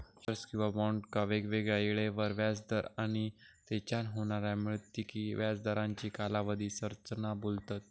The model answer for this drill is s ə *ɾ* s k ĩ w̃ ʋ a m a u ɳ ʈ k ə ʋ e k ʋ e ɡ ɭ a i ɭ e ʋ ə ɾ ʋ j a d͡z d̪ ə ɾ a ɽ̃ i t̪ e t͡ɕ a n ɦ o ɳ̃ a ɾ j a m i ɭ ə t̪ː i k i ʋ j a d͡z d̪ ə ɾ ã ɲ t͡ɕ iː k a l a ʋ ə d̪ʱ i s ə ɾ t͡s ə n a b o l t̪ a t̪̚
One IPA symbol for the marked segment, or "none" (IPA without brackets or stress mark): ɾ